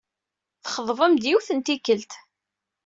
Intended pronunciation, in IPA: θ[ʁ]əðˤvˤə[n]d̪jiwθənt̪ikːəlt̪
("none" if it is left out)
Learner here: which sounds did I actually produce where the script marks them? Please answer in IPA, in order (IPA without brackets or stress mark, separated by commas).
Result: χ, m